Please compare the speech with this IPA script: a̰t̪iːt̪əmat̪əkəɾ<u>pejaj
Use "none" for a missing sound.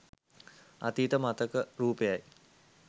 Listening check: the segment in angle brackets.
uː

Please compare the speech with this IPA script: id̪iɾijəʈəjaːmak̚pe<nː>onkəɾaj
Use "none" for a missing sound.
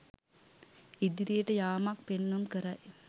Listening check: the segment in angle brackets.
nː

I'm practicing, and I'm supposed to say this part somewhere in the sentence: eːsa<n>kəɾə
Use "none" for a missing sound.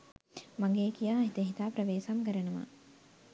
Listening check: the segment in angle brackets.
m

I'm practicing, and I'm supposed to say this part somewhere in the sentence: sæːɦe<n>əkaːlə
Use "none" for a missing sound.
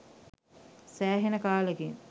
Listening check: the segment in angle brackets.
n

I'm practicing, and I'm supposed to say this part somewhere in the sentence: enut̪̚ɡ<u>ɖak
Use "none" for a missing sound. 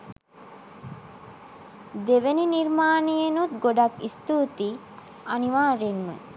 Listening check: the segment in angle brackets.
o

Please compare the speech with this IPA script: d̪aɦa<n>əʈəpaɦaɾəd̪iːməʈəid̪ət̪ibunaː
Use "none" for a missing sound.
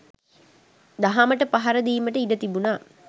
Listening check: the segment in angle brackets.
m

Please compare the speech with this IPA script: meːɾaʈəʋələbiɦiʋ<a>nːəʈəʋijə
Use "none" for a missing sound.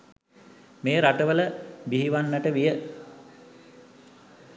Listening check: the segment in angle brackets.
a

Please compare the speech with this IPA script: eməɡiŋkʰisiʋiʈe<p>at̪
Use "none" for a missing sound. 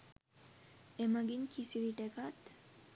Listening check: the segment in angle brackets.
k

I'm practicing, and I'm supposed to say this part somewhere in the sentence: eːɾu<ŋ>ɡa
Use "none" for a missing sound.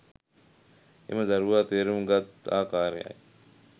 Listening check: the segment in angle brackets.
m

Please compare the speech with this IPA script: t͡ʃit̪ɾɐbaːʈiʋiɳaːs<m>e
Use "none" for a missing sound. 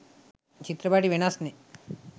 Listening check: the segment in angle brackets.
n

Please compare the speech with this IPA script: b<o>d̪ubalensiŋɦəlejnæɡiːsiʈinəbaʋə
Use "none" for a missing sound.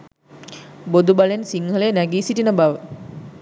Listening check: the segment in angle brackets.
o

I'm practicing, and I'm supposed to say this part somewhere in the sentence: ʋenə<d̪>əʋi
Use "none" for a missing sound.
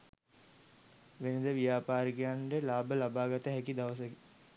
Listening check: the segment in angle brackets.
d̪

